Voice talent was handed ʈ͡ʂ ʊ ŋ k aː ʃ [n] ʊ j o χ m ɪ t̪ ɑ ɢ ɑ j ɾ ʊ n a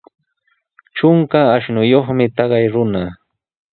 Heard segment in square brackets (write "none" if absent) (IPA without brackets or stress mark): n